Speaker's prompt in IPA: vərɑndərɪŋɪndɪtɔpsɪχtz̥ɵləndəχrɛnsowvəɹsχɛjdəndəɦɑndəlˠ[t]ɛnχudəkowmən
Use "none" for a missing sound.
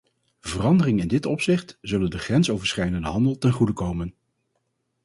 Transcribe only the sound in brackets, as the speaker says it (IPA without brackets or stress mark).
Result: t